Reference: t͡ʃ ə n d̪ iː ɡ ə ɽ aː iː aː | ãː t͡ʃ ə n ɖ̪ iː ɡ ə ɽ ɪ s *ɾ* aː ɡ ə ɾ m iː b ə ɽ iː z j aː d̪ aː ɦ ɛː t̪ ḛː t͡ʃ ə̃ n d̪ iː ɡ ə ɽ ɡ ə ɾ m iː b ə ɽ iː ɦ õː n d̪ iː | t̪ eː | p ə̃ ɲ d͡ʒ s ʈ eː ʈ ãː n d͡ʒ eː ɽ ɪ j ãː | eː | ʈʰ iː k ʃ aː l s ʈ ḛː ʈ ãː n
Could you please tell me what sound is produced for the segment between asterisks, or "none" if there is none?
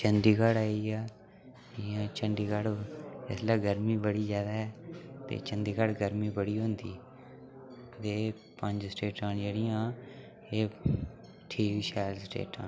l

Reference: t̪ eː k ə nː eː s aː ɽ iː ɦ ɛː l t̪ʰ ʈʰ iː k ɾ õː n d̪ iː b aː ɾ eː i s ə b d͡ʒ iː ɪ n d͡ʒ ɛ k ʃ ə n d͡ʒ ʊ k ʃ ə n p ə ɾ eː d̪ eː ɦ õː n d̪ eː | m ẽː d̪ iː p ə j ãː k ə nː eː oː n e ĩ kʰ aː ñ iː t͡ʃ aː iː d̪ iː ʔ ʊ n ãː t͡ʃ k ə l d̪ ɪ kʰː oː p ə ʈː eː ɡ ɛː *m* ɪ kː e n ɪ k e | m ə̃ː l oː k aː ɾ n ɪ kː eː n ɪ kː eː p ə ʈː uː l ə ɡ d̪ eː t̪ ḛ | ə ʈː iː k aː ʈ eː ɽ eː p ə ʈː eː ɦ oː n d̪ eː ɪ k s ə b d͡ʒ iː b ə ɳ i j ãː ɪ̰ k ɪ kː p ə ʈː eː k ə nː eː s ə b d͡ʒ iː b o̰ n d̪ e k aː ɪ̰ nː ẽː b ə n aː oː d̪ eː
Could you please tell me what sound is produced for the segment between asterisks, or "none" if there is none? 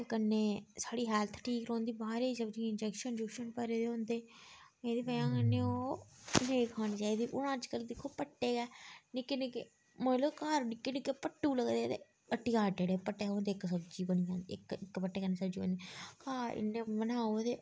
n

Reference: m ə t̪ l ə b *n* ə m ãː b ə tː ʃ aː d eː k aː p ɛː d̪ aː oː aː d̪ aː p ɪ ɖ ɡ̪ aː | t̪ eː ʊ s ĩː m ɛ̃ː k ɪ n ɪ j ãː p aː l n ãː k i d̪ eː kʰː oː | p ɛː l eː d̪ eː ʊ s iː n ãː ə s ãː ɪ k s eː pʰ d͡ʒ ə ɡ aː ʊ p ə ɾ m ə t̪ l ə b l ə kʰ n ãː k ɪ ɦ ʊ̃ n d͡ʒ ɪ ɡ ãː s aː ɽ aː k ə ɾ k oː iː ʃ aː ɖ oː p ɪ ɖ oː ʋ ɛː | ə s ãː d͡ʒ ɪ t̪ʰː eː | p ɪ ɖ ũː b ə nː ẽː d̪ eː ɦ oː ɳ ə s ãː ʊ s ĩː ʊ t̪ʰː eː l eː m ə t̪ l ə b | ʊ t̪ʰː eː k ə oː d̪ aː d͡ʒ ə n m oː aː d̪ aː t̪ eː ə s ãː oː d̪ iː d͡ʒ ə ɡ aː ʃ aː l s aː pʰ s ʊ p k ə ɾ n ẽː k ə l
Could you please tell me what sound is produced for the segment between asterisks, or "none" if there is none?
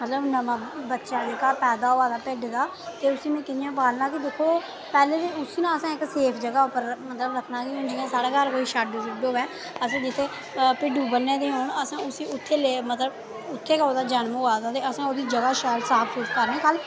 n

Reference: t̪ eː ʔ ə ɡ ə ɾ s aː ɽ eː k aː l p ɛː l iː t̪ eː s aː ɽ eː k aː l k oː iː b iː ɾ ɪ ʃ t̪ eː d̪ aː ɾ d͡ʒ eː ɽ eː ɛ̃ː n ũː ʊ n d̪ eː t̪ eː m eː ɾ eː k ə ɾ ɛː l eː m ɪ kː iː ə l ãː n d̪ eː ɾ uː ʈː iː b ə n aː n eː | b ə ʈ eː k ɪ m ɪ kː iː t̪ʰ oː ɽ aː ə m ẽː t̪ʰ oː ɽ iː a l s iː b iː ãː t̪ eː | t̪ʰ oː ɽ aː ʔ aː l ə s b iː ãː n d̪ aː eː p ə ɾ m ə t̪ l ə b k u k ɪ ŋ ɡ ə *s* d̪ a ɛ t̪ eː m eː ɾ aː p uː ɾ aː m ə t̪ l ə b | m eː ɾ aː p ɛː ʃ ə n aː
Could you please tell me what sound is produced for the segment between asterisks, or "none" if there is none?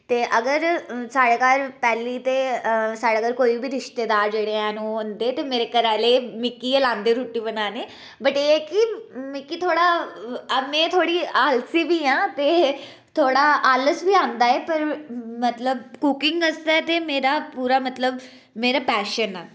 s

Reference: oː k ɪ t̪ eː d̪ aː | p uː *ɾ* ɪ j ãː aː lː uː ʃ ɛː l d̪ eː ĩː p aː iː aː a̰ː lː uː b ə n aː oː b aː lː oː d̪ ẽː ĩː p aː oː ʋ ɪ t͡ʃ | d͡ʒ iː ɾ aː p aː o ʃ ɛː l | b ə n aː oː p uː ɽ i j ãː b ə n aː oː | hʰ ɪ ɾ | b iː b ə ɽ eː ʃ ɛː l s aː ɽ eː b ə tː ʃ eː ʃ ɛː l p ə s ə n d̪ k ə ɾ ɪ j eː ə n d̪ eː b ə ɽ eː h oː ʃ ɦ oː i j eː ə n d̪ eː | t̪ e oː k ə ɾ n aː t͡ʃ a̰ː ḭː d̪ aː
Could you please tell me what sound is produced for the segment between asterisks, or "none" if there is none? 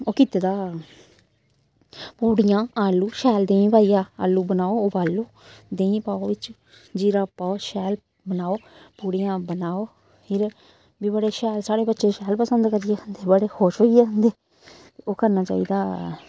ɽ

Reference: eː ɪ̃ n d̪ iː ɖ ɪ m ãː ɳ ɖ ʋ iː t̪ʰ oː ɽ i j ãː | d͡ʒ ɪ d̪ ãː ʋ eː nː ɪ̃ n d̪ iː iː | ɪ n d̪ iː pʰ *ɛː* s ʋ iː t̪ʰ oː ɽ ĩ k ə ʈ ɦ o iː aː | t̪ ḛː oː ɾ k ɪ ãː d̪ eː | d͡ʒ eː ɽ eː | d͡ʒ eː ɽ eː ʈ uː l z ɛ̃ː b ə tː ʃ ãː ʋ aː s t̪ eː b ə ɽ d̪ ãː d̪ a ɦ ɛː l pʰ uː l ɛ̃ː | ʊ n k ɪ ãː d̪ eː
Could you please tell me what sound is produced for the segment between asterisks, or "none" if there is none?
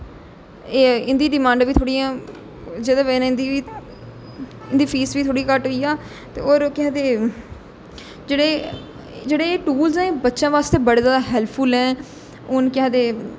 iː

